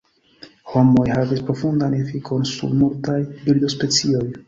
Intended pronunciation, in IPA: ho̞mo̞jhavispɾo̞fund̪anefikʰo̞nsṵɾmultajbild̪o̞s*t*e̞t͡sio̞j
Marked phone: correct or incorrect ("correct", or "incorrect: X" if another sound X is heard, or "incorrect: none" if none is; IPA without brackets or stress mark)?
incorrect: p